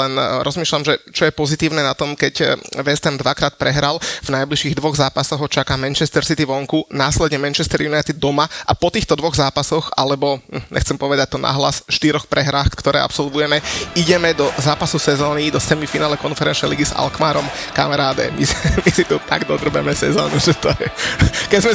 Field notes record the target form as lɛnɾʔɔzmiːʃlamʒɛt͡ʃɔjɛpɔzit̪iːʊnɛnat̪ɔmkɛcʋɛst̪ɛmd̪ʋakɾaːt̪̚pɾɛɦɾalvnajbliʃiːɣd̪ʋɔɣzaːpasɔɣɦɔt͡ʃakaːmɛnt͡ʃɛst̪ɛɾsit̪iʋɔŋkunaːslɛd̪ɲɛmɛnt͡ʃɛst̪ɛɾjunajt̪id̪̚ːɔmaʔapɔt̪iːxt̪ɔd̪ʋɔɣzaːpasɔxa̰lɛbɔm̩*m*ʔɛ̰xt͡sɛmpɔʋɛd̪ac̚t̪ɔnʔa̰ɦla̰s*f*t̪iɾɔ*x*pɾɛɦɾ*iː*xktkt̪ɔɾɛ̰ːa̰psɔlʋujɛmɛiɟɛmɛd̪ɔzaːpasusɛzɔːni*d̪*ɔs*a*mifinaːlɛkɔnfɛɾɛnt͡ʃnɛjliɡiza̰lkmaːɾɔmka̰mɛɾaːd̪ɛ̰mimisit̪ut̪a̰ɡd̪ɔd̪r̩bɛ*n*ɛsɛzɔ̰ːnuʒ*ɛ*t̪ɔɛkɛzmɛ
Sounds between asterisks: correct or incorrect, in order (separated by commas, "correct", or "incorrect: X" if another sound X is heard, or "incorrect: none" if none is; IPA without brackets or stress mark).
incorrect: ɲ, incorrect: ʃ, correct, incorrect: aː, correct, incorrect: ɛ, incorrect: m, correct